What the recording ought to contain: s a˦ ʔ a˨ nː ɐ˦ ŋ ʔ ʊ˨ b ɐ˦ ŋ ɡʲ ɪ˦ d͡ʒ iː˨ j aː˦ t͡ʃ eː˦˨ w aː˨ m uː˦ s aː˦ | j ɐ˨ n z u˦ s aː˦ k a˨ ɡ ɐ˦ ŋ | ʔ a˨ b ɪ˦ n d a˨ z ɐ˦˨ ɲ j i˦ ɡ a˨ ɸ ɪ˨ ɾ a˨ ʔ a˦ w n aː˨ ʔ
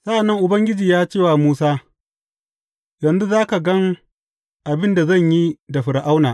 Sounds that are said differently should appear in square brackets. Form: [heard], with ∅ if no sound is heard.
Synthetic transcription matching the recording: s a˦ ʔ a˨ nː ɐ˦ ŋ ʔ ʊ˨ b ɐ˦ ŋ ɡʲ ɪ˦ d͡ʒ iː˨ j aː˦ t͡ʃ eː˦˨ w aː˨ m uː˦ s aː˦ | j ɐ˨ n z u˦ [z] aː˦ k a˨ ɡ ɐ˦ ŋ | ʔ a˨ b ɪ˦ n d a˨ z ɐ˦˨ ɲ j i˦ [d] a˨ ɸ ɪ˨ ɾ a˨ ʔ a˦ w n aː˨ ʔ